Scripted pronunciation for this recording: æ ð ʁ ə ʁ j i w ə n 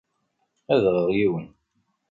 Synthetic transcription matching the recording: æ ð ʁ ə ʁ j i w ə n

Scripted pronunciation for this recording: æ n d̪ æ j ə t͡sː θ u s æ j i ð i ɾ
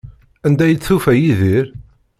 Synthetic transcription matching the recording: æ n d̪ æ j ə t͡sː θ u f æ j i ð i ɾ

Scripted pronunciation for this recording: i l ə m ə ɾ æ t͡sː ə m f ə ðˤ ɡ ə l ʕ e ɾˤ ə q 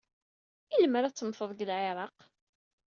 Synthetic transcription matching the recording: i l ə m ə ɾ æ t͡sː ə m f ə ðˤ ɡ ə l ʕ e ɾˤ ɑ q

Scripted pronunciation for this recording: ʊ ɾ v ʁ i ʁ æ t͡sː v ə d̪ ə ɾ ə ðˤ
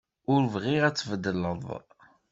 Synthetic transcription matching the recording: ʊ ɾ v ʁ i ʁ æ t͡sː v ə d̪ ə l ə ðˤ

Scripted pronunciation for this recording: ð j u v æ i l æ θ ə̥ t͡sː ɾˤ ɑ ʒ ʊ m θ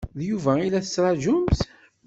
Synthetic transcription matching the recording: ð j u v æ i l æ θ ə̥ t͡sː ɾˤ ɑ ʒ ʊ m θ

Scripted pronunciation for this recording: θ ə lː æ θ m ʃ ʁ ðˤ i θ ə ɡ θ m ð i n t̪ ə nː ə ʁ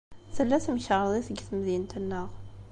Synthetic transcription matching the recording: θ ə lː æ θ m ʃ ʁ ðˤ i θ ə ɡ θ m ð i n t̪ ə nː ə ʁ

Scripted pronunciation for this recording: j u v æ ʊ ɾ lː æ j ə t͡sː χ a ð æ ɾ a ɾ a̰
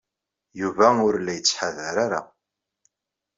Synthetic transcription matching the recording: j u v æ ʊ ɾ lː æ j ə t͡sː ħ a ð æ ɾ a ɾ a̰

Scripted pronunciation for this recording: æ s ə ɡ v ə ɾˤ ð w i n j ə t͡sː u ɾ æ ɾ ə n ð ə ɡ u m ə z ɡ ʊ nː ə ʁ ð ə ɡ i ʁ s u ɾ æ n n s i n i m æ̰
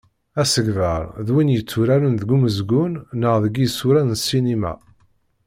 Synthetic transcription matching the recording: æ s ə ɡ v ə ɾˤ ð w i n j ə t͡sː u ɾ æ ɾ ə n ð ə ɡ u m ə z ɡ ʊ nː ə ʁ ð ə ɡ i s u ɾ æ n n s i n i m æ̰

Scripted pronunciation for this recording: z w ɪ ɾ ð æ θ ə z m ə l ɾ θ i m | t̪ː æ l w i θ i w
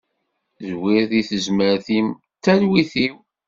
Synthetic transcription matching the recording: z w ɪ ɾ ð i θ ə z m ə ɾ θ i m | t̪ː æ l w i θ i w

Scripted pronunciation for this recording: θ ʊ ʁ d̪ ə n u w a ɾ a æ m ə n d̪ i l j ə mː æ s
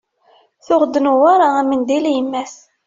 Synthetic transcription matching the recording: θ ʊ ʁ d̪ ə n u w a ɾ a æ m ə n d̪ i l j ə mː æ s

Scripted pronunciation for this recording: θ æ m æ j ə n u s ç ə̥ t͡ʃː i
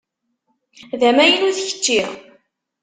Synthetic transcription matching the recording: ð æ m æ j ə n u θ ç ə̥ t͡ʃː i

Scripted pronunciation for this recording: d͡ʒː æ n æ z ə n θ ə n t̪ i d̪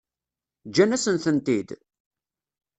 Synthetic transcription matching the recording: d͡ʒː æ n æ s ə n θ ə n t̪ i d̪

